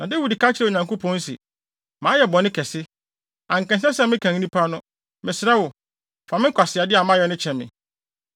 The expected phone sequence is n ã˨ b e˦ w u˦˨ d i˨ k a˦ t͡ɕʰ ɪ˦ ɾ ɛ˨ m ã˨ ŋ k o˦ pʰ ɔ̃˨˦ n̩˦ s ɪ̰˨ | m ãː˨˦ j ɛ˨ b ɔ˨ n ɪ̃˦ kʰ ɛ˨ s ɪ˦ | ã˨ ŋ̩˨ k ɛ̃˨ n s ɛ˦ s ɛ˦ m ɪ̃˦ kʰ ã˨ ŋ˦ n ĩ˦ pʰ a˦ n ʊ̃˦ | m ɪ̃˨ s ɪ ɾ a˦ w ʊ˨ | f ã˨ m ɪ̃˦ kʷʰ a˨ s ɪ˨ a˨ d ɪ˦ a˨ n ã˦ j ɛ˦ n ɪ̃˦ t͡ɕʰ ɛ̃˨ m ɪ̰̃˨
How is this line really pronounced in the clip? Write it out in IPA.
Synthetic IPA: n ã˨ d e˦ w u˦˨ d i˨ k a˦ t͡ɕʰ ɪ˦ ɾ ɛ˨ ɲ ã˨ ŋ k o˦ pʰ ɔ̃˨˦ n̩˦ s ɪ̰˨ | m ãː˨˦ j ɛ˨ b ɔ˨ n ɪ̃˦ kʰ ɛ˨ s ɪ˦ | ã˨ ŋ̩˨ k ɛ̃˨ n s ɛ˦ s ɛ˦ m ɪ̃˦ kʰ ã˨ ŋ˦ n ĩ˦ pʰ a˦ n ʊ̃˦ | m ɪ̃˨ s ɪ ɾ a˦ w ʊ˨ | f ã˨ m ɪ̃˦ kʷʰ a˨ s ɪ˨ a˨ d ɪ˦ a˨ m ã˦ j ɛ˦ n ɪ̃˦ t͡ɕʰ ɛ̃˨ m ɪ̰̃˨